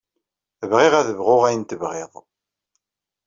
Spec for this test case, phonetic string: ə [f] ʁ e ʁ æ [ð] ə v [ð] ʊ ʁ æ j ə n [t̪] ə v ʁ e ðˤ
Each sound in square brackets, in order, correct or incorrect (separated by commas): incorrect, correct, incorrect, correct